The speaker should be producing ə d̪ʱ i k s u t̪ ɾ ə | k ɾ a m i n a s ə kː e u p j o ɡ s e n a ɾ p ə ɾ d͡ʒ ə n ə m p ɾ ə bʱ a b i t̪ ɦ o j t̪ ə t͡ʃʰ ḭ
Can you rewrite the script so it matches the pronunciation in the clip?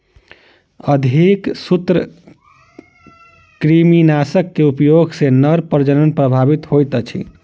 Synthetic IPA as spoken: ə d̪ʱ i k s u t̪ ɾ ə | k ɾ i m i n a s ə kː e u p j o ɡ s e n ə ɾ p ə ɾ d͡ʒ ə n ə n p ɾ ə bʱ a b i t̪ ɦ o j t̪ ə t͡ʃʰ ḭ